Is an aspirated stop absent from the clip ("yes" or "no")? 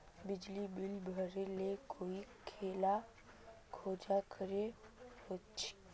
no